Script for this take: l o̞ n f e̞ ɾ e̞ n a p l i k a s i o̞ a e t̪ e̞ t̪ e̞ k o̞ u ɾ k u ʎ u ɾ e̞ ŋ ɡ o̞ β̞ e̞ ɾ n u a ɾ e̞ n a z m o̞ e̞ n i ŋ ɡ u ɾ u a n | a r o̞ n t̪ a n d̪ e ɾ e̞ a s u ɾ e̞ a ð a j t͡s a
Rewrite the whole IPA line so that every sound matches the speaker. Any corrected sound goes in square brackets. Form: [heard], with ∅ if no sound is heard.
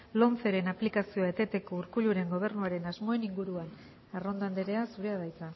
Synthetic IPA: l o̞ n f e̞ ɾ e̞ n a p l i k a s i o̞ a e t̪ e̞ t̪ e̞ k o̞ u ɾ k u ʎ u ɾ e̞ ŋ ɡ o̞ β̞ e̞ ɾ n u a ɾ e̞ n a z m o̞ e̞ n i ŋ ɡ u ɾ u a n | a r o̞ n [d̪] a n d̪ e ɾ e̞ a s u ɾ e̞ a ð a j t͡s a

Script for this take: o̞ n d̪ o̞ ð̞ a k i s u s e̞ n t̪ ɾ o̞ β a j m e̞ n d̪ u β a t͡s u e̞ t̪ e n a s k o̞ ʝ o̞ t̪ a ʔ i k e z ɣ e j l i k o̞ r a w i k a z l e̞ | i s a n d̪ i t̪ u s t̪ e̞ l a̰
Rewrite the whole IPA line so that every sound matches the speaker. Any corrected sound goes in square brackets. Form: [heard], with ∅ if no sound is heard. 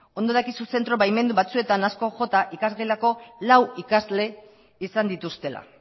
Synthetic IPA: o̞ n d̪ o̞ ð̞ a k i s u s e̞ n t̪ ɾ o̞ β a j m e̞ n d̪ u β a t͡s u e̞ t̪ [a] n a s k o̞ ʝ o̞ t̪ a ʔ i k [a] z ɣ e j l [a] k o̞ [l] a w i k a z l e̞ | i s a n d̪ i t̪ u s t̪ e̞ l a̰

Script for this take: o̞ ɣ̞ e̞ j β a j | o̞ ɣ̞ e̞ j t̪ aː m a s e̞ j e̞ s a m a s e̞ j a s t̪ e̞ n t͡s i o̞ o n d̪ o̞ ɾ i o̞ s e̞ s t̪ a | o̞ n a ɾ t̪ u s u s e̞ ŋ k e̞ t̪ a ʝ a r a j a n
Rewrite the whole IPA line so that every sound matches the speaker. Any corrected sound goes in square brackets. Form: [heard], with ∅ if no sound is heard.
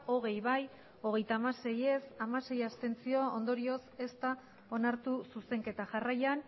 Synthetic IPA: o̞ ɣ̞ e̞ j β a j | o̞ ɣ̞ e̞ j t̪ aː m a s e̞ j e̞ s a m a s e̞ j a s t̪ e̞ n t͡s i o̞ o n d̪ o̞ ɾ i o̞ s e̞ s t̪ a | o̞ n a ɾ t̪ u s u s e̞ ŋ k e̞ t̪ a ʝ a r a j a n

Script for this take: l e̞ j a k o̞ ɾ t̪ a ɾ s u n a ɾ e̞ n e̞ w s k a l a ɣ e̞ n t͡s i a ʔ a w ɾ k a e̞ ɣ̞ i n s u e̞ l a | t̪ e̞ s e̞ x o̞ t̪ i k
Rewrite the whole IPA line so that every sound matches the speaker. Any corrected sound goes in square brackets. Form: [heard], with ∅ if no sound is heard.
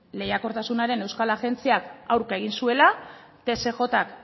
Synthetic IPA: l e̞ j a k o̞ ɾ t̪ a [∅] s u n a ɾ e̞ n e̞ w s k a l a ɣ e̞ n t͡s i a [k] a w ɾ k a e̞ ɣ̞ i n s u e̞ l a | t̪ e̞ s e̞ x o̞ t̪ [a] k

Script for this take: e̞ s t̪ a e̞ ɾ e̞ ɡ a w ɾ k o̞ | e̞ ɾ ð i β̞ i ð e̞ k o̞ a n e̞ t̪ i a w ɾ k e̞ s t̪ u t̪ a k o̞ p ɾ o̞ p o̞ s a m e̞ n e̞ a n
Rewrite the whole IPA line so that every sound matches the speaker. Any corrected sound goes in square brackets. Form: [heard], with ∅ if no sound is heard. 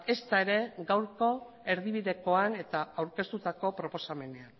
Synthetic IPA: e̞ s t̪ a e̞ ɾ e̞ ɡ a w ɾ k o̞ | e̞ ɾ ð i β̞ i ð e̞ k o̞ a n e̞ t̪ [a] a w ɾ k e̞ s t̪ u t̪ a k o̞ p ɾ o̞ p o̞ s a m e̞ n e̞ a n

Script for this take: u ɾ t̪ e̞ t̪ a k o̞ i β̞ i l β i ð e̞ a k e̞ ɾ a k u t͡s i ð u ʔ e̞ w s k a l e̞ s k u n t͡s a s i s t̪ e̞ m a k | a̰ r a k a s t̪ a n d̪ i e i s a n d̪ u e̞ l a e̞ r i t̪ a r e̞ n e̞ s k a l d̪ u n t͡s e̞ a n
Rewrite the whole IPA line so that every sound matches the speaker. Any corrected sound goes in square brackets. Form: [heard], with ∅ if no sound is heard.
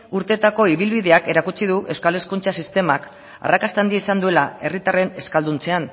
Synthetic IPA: u ɾ t̪ e̞ t̪ a k o̞ i β̞ i l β i ð e̞ a k e̞ ɾ a k u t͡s i ð u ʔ e̞ w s k a l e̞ s k u n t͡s a s i s t̪ e̞ m a k | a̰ r a k a s t̪ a n d̪ i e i s a n d̪ u e̞ l a e̞ r i t̪ a r e̞ n e̞ s k a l d̪ u n t͡s e̞ a n

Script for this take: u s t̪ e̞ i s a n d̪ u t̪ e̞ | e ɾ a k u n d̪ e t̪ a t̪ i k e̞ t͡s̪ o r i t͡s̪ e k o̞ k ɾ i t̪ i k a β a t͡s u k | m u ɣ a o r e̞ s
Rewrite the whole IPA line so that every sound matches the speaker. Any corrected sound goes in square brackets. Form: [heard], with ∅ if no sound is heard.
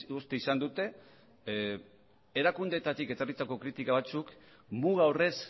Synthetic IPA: u s t̪ e̞ i s a n d̪ u t̪ e̞ | e ɾ a k u n d̪ e t̪ a t̪ i k e̞ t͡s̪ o r i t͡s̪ [a] k o̞ k ɾ i t̪ i k a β a t͡s u k | m u ɣ a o r e̞ s

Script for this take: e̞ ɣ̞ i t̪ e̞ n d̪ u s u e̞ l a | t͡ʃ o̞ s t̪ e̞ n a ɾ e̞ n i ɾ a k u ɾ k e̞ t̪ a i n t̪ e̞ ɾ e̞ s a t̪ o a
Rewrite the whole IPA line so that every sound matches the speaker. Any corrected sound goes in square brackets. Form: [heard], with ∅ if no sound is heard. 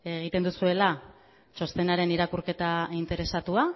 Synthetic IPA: e̞ ɣ̞ i t̪ e̞ n d̪ u s u e̞ l a | t͡ʃ o̞ s t̪ e̞ n a ɾ e̞ n i ɾ a k u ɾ k e̞ t̪ a i n t̪ e̞ ɾ e̞ s a t̪ [u] a

